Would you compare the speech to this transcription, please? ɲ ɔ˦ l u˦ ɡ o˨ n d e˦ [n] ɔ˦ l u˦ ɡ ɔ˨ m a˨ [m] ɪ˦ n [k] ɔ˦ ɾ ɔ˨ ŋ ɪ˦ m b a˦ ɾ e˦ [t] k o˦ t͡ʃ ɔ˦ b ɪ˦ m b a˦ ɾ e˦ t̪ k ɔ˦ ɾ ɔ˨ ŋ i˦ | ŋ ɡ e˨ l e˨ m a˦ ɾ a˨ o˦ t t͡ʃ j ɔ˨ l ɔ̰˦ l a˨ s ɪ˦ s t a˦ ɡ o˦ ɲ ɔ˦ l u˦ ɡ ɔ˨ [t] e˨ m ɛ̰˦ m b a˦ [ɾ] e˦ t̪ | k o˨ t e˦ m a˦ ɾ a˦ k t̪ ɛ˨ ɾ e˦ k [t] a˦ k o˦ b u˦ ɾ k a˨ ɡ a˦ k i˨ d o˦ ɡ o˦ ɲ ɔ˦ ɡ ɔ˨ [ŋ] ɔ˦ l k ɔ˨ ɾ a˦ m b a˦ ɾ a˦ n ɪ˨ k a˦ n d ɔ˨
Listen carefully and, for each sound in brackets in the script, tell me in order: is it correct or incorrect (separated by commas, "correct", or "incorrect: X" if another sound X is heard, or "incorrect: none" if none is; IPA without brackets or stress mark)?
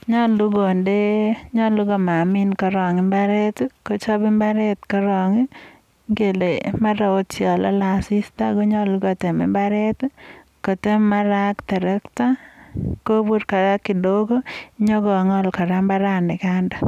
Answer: incorrect: ɲ, correct, correct, correct, correct, correct, correct, correct